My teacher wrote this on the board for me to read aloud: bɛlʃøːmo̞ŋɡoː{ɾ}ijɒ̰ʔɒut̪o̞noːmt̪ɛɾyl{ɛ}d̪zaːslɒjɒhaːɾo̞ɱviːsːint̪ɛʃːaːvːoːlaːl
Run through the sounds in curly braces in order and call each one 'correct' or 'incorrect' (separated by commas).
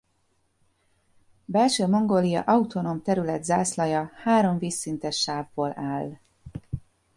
incorrect, correct